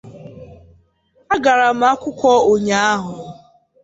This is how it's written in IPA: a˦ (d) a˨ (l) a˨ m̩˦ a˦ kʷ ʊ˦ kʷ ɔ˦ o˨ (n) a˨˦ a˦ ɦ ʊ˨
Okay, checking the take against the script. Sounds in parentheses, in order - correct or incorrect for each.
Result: incorrect: ɡ, incorrect: ɾ, incorrect: ɲ

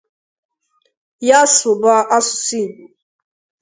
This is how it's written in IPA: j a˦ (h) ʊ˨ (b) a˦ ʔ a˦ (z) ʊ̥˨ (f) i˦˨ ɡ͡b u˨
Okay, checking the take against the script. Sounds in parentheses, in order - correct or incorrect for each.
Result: incorrect: s, correct, incorrect: s, incorrect: s

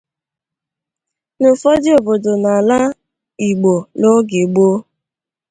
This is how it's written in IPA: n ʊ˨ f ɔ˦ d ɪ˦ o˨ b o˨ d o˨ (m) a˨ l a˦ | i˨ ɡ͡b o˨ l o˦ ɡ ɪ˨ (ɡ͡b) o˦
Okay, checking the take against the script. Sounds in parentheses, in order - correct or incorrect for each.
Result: incorrect: n, correct

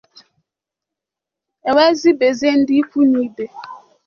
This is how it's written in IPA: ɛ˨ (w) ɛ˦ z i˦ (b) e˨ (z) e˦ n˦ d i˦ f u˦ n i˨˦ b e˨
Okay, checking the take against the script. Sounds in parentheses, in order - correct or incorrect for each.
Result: correct, correct, correct

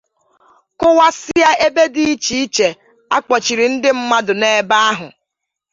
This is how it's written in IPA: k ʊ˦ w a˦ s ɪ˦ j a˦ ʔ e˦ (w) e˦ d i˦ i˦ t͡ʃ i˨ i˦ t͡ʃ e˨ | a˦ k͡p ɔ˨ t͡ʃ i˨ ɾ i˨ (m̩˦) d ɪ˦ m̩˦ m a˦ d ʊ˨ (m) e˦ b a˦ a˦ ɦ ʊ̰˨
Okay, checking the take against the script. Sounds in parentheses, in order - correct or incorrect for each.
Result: incorrect: b, incorrect: n̩˦, incorrect: n

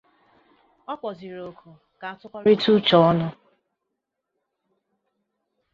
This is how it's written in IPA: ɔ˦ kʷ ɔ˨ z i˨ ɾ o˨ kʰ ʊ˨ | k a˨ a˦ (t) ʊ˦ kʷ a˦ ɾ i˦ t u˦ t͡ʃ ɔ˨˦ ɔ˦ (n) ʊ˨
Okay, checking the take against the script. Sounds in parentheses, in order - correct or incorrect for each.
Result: correct, correct

